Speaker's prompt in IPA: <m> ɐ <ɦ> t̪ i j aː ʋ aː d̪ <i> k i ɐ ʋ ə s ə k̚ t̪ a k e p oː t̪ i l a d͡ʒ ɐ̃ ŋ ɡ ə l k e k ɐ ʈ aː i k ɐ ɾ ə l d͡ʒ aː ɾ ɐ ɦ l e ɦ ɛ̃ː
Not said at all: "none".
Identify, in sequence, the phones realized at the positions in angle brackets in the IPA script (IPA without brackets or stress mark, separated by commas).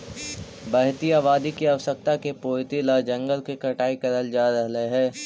b, ɦ, i